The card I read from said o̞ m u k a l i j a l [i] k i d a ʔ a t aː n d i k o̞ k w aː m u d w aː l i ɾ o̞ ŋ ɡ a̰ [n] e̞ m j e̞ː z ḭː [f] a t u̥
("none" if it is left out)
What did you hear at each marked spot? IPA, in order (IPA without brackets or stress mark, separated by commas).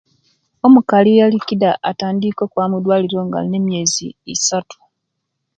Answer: i, n, s